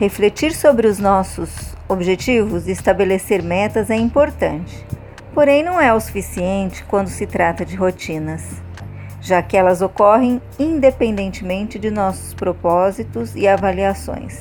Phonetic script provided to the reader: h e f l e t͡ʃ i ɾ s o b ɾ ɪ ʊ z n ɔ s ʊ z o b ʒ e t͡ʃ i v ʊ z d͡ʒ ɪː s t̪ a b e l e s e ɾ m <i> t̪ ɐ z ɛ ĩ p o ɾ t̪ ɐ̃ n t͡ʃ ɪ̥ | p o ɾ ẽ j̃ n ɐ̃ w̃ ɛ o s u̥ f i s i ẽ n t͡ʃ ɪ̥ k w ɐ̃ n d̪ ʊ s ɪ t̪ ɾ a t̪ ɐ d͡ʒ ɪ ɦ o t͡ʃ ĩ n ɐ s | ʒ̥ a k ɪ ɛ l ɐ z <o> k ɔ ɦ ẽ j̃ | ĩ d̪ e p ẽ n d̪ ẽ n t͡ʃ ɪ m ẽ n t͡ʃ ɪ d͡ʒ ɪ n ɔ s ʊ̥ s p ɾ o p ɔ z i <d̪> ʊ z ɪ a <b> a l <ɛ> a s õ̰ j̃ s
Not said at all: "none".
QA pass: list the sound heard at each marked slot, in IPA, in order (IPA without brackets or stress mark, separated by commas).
ɛ, o, t̪, v, i